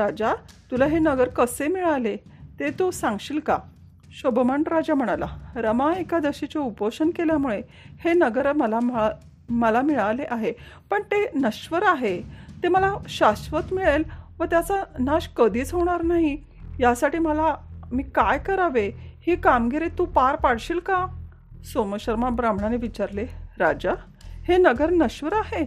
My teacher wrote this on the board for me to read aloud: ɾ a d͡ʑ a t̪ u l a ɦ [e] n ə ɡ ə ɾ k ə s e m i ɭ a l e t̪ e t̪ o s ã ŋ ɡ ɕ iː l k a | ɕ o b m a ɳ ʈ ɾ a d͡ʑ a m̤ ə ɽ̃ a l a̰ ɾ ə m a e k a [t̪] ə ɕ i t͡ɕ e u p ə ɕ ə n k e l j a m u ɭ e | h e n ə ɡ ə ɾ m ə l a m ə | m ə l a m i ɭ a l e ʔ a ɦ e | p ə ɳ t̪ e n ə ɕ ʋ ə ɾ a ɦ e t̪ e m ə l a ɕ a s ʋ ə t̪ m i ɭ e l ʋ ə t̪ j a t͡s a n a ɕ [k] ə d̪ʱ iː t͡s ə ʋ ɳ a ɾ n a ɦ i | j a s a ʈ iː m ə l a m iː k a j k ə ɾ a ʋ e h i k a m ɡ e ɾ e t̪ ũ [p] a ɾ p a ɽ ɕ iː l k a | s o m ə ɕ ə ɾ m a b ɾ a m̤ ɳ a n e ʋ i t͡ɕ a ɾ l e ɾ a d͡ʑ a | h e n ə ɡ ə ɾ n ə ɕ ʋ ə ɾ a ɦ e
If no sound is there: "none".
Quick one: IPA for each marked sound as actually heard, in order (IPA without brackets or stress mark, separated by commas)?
e, d̪, k, p